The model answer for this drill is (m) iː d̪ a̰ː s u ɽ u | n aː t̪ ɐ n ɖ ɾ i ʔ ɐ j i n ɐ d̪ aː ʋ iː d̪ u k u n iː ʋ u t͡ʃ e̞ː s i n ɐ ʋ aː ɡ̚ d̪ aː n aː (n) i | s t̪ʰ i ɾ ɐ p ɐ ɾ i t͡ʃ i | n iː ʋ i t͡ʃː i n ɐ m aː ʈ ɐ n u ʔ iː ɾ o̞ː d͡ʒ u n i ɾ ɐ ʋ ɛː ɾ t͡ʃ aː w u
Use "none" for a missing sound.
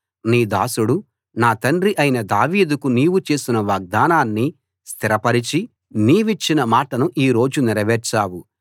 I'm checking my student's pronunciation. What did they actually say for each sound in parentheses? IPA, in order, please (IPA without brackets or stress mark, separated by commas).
n, nː